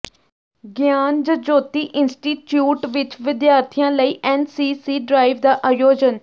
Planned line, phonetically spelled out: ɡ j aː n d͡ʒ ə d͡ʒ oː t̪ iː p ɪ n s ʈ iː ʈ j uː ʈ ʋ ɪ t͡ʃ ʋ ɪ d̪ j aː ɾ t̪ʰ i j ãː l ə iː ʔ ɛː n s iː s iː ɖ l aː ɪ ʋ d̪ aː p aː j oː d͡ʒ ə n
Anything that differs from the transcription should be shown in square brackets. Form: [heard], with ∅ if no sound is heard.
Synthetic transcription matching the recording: ɡ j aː n d͡ʒ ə d͡ʒ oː t̪ iː [ʔ] ɪ n s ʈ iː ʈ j uː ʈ ʋ ɪ t͡ʃ ʋ ɪ d̪ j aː ɾ t̪ʰ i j ãː l ə iː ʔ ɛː n s iː s iː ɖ [ɾ] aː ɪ ʋ d̪ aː [ʔ] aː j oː d͡ʒ ə n